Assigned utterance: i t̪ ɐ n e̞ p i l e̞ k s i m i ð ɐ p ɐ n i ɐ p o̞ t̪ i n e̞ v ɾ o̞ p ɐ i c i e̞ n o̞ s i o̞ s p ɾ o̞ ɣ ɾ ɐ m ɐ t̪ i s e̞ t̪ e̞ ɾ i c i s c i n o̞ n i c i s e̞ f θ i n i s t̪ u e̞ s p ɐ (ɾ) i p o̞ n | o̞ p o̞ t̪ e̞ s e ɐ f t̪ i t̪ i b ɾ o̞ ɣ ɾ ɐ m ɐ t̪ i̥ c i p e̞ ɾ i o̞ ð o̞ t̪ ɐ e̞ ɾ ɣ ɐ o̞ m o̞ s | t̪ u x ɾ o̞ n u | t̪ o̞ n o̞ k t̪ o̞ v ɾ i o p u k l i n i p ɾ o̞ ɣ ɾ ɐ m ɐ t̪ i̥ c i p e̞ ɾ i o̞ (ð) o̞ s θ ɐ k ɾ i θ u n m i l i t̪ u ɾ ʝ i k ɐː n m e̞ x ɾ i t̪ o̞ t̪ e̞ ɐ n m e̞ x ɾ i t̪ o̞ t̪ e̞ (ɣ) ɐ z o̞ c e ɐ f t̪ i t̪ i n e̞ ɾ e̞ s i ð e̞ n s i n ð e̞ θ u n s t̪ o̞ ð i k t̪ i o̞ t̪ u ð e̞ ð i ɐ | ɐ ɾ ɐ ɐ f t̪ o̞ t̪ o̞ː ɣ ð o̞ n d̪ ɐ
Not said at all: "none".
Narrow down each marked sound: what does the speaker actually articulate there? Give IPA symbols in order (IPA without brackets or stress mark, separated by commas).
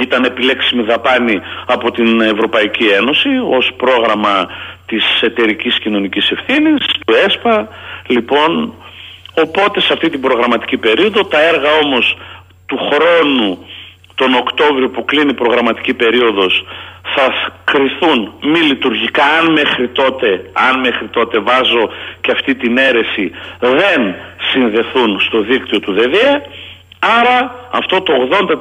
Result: l, ð, v